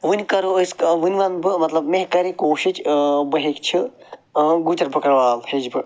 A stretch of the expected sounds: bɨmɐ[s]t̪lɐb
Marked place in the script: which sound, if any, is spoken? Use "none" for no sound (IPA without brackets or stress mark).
none